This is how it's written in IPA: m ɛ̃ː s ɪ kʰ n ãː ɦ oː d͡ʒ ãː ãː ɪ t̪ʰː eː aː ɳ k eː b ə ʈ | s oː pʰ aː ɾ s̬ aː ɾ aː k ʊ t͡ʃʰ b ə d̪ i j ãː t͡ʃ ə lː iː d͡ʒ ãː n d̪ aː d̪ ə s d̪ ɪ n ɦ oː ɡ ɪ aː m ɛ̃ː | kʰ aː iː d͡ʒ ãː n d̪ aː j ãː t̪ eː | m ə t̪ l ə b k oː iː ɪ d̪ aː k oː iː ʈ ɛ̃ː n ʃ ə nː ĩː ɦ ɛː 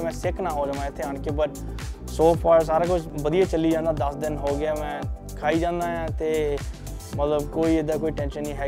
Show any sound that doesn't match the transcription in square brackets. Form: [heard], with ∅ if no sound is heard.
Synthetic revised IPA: m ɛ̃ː s ɪ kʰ n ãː ɦ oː d͡ʒ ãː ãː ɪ t̪ʰː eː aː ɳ k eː b ə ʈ | s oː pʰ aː ɾ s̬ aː ɾ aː k ʊ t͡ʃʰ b ə d̪ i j [aː] t͡ʃ ə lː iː d͡ʒ ãː n d̪ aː d̪ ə s d̪ ɪ n ɦ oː ɡ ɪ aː m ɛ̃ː | kʰ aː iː d͡ʒ ãː n d̪ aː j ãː t̪ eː | m ə t̪ l ə b k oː iː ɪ d̪ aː k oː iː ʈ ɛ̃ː n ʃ ə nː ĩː ɦ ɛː